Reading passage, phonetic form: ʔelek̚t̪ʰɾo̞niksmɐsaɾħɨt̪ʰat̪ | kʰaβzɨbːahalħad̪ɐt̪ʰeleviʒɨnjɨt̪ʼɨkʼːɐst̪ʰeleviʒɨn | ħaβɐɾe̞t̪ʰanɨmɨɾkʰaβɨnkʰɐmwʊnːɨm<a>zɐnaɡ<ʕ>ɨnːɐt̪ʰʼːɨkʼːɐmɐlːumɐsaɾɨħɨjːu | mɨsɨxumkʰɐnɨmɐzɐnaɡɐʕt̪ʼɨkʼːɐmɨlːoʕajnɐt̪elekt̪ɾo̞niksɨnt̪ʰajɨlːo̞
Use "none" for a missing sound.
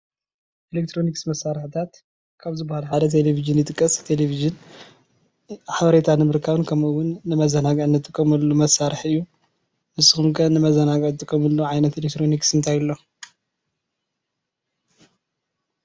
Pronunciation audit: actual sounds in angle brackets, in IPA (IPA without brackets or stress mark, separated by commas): ɐ, ʕ